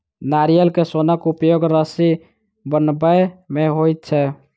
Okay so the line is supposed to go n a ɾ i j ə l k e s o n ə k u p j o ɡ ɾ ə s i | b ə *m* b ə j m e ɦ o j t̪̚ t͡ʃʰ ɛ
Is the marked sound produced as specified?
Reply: no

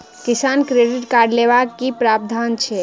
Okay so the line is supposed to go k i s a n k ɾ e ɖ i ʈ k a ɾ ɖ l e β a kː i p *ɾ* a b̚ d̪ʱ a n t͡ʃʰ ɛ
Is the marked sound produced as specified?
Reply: yes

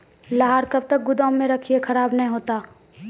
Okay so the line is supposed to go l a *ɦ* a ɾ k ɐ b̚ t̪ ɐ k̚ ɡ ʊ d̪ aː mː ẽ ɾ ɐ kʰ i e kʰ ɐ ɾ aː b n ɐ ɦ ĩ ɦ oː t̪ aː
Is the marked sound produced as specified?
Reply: yes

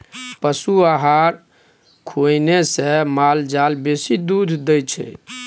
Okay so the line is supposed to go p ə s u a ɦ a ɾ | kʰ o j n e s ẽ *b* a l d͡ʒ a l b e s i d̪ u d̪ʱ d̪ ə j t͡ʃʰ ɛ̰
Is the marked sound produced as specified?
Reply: no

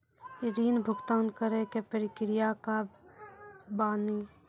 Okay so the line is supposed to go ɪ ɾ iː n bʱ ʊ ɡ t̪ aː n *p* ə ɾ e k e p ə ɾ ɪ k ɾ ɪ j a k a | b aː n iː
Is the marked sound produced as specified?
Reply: no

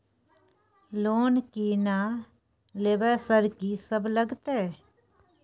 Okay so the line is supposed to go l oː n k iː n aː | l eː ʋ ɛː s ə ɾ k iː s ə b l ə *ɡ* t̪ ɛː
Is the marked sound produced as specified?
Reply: yes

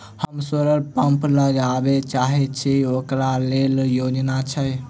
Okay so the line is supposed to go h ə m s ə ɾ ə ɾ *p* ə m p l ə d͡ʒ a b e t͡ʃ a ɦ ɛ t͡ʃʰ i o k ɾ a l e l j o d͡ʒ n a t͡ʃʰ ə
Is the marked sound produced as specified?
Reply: yes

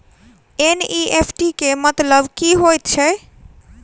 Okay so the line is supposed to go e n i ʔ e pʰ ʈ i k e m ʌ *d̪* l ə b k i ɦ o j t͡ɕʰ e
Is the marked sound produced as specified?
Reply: no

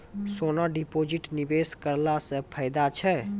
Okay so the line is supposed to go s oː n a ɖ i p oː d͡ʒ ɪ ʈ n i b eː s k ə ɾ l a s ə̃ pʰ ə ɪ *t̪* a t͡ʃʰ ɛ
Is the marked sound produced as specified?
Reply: no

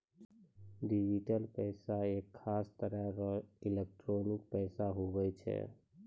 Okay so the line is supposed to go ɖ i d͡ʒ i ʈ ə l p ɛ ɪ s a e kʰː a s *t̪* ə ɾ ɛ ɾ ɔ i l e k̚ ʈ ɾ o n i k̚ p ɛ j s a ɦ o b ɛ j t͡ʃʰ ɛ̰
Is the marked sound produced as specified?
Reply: yes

